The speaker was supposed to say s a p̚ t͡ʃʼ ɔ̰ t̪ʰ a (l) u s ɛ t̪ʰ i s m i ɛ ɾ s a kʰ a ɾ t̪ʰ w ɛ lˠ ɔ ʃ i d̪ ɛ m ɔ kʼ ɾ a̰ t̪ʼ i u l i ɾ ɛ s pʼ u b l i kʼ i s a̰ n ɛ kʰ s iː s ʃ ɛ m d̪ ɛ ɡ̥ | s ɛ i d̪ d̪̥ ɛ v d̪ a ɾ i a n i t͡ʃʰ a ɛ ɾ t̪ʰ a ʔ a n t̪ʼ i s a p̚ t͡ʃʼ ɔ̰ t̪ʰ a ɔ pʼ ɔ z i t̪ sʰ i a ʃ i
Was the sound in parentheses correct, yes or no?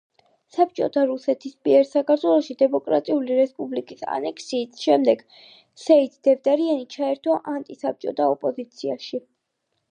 no